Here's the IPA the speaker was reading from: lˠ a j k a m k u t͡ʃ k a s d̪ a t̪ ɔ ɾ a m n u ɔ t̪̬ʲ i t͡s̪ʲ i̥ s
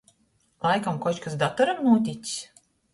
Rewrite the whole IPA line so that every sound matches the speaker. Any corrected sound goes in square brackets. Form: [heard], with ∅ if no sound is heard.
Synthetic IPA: lˠ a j k a m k [ɔ] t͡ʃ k a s d̪ a t̪ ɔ ɾ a m n u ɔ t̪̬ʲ i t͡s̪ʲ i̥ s